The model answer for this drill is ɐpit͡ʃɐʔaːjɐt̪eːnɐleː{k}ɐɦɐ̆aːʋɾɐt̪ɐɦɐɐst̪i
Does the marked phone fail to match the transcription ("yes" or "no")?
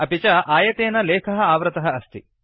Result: yes